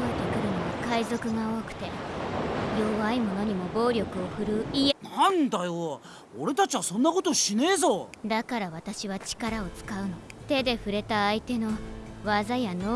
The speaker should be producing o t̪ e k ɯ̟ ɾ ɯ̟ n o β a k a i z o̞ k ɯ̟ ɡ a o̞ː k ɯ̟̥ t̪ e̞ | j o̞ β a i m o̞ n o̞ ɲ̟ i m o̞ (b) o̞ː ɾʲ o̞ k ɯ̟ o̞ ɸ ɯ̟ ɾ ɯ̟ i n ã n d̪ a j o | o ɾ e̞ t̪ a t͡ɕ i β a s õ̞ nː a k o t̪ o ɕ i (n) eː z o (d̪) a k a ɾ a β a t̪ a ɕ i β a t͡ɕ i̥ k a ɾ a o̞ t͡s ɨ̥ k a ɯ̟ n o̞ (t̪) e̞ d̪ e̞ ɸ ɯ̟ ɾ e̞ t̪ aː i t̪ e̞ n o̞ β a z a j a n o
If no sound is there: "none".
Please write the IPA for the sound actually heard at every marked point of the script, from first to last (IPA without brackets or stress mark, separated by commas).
b, n, d̪, t̪